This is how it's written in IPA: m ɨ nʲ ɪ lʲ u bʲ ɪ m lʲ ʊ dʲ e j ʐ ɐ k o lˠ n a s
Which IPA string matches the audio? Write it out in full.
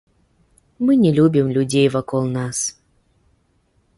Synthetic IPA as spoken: m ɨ nʲ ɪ lʲ u bʲ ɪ m lʲ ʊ dʲ e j v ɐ k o lˠ n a s